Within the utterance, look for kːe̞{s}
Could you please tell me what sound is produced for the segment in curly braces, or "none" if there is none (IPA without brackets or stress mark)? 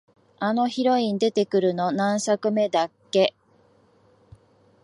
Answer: none